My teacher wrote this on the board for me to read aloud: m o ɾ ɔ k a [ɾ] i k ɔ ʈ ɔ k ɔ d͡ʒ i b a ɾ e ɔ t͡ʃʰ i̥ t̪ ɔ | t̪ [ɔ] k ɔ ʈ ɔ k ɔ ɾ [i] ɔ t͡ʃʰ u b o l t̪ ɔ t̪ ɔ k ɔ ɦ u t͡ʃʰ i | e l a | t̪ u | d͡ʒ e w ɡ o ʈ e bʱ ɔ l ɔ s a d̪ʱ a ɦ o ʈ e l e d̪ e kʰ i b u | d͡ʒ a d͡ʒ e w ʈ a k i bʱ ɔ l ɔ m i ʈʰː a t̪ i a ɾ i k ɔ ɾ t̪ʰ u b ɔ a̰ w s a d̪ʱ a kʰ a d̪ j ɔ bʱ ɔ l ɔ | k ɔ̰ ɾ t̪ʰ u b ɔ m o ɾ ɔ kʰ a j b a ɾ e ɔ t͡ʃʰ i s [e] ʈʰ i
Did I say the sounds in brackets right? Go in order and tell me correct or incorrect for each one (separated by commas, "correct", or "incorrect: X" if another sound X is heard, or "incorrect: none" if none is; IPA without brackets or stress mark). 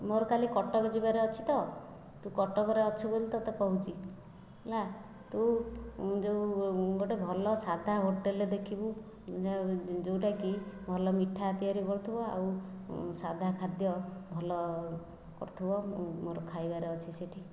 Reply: incorrect: l, incorrect: u, incorrect: e, correct